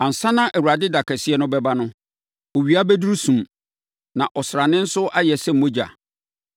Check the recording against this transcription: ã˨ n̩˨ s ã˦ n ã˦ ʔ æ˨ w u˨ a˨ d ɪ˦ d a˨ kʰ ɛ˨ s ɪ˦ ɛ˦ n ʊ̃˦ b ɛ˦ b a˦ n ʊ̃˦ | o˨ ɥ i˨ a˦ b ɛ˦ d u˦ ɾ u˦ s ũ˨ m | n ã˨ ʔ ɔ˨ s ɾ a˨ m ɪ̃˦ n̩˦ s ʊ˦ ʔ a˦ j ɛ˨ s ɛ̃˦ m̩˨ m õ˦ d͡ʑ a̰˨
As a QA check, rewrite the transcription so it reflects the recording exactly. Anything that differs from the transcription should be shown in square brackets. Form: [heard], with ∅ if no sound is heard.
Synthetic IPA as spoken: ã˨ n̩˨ s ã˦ n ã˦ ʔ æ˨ w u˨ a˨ d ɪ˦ d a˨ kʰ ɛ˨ s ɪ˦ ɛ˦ n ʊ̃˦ b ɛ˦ b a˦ n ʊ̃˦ | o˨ ɥ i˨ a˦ b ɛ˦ d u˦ ɾ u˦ s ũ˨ m | n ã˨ ʔ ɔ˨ s ɾ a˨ [n] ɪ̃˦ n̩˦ s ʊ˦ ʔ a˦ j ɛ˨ s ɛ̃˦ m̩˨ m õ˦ d͡ʑ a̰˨

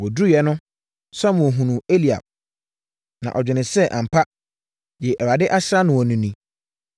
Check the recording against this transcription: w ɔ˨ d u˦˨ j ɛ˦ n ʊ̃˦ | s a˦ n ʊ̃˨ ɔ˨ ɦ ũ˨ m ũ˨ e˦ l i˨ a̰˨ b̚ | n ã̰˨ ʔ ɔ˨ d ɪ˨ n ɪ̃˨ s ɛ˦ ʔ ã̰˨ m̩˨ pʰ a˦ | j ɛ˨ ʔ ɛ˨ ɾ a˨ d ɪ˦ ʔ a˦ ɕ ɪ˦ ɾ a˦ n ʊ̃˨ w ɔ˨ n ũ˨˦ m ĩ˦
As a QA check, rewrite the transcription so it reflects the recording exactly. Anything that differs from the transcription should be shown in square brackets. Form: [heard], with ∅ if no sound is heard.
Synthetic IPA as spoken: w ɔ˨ d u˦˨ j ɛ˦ n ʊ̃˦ | s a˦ [m] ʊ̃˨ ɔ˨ ɦ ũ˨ [n] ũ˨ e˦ l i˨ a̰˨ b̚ | n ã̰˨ ʔ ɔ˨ [d͡ʑᶣ] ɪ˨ n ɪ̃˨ s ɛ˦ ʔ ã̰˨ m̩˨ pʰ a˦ | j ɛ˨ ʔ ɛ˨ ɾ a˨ d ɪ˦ ʔ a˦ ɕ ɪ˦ ɾ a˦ n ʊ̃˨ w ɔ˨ n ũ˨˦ [n] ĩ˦

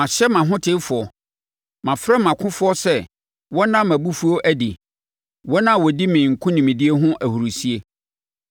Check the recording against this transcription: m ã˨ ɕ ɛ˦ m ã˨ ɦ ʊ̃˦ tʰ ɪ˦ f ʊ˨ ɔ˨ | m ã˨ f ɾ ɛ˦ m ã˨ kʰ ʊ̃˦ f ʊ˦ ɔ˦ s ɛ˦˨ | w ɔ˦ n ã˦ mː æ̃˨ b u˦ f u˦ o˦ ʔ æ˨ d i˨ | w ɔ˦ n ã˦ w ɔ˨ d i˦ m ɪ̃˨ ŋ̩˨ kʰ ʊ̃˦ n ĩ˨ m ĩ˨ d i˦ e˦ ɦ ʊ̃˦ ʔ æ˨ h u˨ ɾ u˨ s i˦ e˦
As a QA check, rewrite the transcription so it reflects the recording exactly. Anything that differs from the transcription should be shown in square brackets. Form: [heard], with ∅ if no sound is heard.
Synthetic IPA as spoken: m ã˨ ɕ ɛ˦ m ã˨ ɦ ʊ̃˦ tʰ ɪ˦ f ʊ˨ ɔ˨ | m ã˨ f ɾ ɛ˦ m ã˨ kʰ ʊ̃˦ f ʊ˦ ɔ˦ s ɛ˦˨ | w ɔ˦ n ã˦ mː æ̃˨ b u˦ f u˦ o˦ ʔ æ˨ d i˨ | w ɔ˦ n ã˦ w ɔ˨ d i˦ m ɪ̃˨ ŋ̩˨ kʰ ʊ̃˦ n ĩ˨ m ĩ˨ d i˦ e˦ ɦ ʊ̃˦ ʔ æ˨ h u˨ ɾ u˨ s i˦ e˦

